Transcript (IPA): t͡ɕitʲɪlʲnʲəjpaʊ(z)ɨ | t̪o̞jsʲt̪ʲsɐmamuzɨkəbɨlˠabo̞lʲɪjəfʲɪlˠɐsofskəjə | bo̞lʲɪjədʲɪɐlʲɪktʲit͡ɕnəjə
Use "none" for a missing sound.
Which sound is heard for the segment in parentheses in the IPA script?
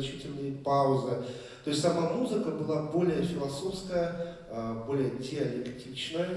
z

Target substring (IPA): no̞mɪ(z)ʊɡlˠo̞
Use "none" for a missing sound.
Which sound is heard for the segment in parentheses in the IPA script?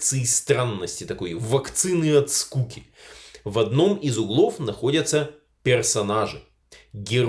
z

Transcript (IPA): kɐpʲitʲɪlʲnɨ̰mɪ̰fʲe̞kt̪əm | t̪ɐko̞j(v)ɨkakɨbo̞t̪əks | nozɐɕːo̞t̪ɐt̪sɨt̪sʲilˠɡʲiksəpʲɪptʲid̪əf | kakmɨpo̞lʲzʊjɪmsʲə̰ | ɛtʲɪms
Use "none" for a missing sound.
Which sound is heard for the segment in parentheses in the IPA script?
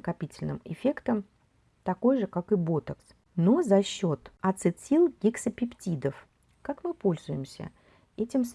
ʐ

